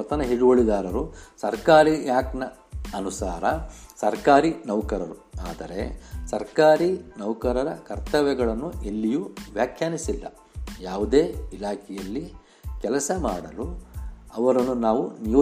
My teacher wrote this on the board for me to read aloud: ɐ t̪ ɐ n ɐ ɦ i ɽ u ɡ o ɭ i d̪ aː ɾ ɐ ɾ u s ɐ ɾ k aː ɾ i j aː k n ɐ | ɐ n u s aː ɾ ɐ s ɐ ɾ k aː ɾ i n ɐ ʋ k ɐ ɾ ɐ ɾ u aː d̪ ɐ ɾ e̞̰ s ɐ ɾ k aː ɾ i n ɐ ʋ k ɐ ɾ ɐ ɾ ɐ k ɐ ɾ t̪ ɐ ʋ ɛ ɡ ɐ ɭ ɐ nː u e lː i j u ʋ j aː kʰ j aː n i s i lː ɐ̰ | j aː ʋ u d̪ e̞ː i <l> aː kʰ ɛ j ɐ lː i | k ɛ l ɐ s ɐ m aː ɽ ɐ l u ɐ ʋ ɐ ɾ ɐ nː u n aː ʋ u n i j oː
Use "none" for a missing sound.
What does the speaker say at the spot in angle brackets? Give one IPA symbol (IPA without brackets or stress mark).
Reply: l